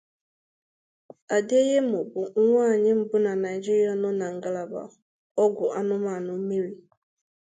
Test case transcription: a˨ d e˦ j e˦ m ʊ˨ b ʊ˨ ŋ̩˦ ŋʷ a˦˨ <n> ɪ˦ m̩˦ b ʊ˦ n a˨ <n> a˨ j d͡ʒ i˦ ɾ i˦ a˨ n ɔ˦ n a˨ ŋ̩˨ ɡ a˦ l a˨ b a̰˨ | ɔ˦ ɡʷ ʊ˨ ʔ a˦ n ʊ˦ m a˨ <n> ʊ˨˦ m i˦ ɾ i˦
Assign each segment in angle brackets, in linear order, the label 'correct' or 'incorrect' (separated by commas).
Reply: incorrect, correct, correct